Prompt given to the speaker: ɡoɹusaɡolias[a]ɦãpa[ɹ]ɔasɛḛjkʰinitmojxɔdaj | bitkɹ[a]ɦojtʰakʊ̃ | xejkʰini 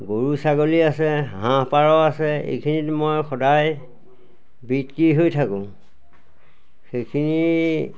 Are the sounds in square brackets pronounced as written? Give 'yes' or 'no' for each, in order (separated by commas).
no, yes, no